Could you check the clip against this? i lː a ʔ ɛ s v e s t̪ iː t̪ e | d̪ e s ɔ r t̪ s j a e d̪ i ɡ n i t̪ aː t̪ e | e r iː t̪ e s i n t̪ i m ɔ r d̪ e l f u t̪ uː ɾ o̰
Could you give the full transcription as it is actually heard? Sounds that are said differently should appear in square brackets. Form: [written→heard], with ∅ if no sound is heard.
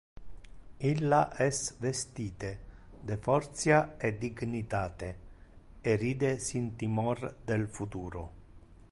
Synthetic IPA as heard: i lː a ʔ ɛ s v e s t̪ iː t̪ e | d̪ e [s→f] ɔ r t̪ s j a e d̪ i ɡ n i t̪ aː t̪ e | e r iː [t̪→d̪] e s i n t̪ i m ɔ r d̪ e l f u t̪ uː ɾ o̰